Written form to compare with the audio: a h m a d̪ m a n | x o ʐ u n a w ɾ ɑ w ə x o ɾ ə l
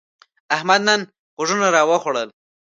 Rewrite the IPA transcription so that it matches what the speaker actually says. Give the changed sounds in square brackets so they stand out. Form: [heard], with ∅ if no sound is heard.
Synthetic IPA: a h m a d̪ [n] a n | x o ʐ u n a [∅] ɾ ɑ w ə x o [ɽ] ə l